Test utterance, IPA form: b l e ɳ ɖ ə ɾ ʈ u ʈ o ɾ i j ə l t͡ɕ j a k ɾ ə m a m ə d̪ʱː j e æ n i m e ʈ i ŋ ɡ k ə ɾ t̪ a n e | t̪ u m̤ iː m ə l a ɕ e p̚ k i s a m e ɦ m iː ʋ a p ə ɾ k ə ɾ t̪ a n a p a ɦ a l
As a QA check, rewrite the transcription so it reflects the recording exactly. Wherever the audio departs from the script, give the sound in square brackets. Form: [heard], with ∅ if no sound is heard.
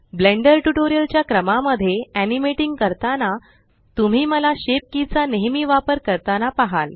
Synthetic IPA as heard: b l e ɳ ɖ ə ɾ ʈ u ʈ o ɾ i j ə l t͡ɕ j a k ɾ ə m a m ə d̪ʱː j e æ n i m e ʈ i ŋ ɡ k ə ɾ t̪ a n [a] | t̪ u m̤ iː m ə l a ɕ e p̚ k i [t͡s] a [n] e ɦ m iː ʋ a p ə ɾ k ə ɾ t̪ a n a p a ɦ a l